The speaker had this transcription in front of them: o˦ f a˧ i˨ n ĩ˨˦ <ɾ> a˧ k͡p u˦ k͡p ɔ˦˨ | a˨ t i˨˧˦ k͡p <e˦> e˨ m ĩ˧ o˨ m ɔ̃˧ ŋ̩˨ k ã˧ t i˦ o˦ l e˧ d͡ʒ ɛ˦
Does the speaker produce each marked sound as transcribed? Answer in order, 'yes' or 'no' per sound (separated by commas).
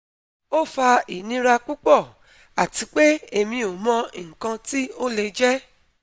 yes, yes